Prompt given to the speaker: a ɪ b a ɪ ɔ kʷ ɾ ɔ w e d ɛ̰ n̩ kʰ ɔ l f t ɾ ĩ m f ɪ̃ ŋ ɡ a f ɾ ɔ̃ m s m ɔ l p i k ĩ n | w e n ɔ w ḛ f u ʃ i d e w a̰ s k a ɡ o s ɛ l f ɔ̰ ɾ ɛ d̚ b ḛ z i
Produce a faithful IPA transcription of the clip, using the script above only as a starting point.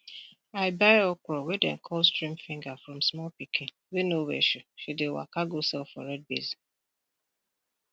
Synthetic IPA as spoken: a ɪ b a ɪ ɔ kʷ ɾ ɔ w e d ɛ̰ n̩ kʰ ɔ l s t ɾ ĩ m f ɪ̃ ŋ ɡ a f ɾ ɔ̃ m s m ɔ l p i k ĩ n | w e n o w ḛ ʃ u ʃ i d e w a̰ k a ɡ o s ɛ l f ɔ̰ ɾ ɛ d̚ b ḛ z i